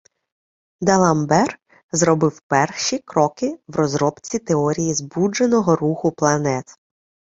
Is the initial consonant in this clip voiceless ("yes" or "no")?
no